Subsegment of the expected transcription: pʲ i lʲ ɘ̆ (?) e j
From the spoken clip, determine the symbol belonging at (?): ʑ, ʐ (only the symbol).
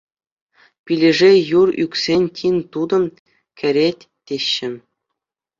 ʐ